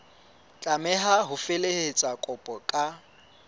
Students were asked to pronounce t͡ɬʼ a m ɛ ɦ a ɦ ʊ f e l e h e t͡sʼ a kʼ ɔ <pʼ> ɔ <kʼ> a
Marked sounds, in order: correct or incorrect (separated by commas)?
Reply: correct, correct